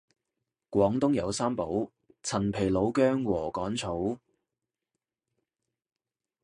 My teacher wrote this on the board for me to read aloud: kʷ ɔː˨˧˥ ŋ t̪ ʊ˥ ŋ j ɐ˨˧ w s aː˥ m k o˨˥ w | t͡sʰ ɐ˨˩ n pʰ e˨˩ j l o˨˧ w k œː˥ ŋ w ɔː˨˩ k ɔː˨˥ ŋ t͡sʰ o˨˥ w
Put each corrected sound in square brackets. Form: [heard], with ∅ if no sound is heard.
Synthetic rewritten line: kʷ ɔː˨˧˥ ŋ t̪ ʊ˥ ŋ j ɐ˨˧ w s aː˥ m [p] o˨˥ w | t͡sʰ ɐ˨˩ n pʰ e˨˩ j l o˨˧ w k œː˥ ŋ w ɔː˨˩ k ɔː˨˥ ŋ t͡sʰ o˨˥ w